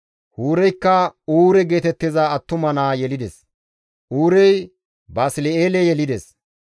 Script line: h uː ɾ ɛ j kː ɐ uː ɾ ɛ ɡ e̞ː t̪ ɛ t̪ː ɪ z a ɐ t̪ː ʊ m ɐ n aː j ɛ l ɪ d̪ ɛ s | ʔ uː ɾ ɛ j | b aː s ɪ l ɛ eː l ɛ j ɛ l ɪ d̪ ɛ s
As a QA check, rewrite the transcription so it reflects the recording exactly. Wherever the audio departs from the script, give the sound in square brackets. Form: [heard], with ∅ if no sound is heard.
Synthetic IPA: h uː ɾ ɛ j kː ɐ uː ɾ ɛ ɡ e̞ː t̪ ɛ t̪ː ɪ z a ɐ t̪ː ʊ m ɐ n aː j ɛ l ɪ d̪ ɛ s | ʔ uː ɾ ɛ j | b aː s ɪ l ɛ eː l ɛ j ɛ l ɪ d̪ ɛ s